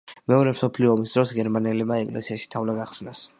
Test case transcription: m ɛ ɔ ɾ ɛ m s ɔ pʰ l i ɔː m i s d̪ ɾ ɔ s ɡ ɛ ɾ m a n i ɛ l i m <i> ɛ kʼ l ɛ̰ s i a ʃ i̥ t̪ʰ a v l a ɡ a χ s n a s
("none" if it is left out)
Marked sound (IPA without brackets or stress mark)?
a